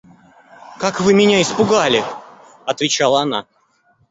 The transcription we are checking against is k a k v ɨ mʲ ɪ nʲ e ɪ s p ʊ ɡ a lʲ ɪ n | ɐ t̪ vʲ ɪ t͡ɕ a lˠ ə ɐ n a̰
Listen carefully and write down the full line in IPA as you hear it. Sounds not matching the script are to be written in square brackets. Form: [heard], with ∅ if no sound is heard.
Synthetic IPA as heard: k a k v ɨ mʲ ɪ nʲ [a] ɪ s p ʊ ɡ a lʲ ɪ [∅] | ɐ t̪ vʲ ɪ t͡ɕ a lˠ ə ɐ n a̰